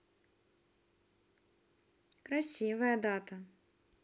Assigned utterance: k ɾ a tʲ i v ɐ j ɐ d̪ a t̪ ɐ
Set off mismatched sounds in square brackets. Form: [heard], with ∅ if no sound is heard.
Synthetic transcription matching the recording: k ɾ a [sʲ] i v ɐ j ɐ d̪ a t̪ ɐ